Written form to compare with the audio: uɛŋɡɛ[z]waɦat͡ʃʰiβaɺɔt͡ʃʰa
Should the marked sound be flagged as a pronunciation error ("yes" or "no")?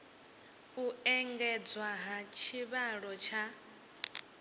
yes